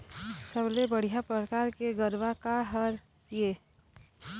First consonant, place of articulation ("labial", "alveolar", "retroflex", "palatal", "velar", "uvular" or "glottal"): alveolar